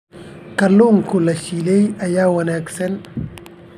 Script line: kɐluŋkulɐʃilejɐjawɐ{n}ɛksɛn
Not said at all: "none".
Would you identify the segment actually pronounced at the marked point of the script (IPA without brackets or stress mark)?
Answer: n